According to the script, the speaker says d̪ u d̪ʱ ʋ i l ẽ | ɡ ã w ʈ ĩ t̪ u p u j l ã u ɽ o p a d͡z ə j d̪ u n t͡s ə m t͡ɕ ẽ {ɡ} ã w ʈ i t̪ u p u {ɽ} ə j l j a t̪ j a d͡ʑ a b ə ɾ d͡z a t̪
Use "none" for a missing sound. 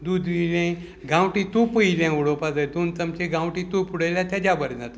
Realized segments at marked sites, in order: ɡ, ɽ

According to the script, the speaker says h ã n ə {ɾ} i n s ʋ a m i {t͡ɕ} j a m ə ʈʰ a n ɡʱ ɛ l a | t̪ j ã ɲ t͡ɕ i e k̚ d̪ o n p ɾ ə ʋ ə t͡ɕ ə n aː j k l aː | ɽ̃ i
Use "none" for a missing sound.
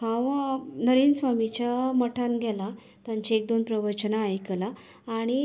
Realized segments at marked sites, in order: ɾ, t͡ɕ

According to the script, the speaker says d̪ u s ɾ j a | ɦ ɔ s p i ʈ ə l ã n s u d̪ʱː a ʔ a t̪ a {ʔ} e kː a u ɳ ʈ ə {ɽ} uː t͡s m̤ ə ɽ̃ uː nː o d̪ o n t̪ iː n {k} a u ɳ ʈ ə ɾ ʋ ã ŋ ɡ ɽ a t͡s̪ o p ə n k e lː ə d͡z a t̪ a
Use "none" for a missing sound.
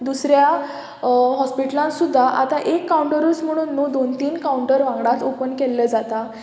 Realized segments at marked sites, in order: ʔ, ɾ, k

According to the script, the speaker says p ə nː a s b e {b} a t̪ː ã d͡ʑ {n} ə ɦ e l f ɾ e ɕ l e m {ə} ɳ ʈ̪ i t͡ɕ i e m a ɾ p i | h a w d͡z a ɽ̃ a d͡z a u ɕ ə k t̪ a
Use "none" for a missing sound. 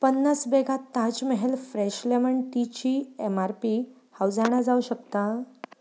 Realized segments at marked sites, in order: ɡ, m, ə

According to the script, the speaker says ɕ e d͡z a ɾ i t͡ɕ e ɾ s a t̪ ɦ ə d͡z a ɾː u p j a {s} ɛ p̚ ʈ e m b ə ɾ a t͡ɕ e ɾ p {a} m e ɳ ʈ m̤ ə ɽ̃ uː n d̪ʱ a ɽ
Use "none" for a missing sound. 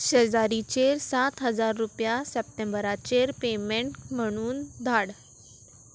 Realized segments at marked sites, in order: s, e

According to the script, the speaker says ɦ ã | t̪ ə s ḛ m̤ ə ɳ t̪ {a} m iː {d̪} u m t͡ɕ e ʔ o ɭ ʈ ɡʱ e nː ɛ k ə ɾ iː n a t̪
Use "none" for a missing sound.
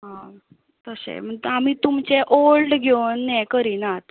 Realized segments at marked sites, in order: a, t̪

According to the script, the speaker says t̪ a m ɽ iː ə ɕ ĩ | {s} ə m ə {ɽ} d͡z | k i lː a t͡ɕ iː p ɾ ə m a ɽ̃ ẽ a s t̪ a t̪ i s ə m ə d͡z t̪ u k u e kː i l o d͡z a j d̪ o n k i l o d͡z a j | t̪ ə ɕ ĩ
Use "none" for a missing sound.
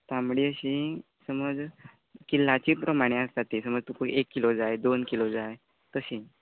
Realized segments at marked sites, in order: s, none

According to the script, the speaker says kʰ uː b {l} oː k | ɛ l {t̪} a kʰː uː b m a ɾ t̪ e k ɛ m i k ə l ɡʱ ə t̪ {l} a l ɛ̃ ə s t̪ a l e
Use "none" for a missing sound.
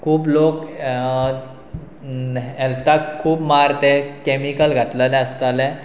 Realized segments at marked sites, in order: l, t̪, l

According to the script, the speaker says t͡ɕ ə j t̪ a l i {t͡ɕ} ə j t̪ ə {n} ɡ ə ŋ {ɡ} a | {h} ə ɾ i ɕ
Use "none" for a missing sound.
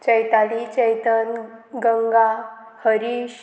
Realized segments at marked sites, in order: t͡ɕ, n, ɡ, h

